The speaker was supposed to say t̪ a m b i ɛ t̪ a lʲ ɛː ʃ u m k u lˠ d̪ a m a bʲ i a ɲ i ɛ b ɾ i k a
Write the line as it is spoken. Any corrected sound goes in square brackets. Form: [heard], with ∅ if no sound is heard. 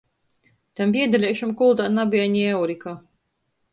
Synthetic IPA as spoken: t̪ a m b i ɛ [d̪] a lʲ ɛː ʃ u m k u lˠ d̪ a [n] a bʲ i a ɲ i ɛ [w] ɾ i k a